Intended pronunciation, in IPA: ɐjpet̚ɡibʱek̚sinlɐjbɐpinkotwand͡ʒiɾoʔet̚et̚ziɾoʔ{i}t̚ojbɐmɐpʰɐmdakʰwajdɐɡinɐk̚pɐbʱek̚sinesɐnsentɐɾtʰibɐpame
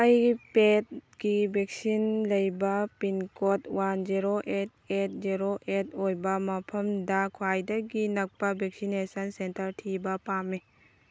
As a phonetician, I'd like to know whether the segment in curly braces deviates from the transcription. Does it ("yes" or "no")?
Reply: yes